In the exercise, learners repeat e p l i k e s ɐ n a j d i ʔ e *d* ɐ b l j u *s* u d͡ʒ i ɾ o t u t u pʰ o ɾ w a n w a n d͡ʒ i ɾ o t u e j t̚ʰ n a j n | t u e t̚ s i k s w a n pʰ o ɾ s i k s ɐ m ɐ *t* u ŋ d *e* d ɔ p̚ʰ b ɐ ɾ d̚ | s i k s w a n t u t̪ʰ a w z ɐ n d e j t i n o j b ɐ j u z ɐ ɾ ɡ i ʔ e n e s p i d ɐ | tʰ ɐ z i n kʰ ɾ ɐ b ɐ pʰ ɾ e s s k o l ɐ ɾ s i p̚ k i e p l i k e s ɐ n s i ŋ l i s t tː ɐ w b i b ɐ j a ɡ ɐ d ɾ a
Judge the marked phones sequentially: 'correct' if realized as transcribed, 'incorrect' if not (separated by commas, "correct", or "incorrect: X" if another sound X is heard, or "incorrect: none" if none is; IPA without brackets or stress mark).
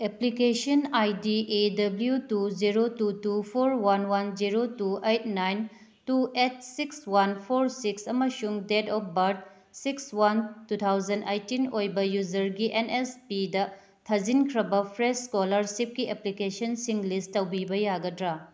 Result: correct, incorrect: t, incorrect: s, correct